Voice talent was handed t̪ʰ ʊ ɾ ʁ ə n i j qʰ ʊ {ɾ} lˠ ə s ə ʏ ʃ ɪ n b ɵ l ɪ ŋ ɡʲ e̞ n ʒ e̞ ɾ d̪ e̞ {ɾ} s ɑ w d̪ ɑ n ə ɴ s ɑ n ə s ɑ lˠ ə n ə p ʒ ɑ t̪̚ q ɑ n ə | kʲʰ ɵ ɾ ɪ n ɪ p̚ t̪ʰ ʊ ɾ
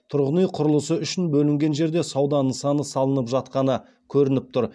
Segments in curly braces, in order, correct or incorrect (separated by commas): correct, incorrect